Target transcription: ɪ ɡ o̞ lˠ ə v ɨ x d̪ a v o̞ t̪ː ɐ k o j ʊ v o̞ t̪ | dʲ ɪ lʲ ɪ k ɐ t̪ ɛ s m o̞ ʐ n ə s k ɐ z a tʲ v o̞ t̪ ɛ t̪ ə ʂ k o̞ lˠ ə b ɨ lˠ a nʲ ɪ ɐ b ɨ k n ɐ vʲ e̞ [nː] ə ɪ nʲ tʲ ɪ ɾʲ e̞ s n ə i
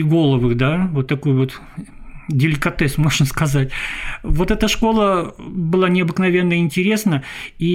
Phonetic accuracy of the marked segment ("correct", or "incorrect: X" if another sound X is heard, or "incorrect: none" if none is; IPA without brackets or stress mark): correct